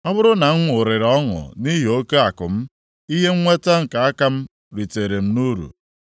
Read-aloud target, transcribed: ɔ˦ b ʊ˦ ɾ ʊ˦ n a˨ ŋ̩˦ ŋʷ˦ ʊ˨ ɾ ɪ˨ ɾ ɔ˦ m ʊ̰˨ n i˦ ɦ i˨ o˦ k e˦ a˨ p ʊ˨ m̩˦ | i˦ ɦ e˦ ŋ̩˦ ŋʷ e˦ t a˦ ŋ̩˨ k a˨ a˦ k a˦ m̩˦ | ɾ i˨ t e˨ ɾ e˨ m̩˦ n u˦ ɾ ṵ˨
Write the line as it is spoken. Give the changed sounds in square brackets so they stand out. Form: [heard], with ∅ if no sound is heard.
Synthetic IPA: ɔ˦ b ʊ˦ ɾ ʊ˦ n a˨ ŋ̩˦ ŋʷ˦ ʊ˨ ɾ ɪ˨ ɾ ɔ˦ [ŋ] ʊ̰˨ n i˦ ɦ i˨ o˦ k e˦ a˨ [k] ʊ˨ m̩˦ | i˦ ɦ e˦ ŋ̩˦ ŋʷ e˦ t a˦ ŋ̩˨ k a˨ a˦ k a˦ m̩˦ | ɾ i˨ t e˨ ɾ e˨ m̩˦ n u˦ ɾ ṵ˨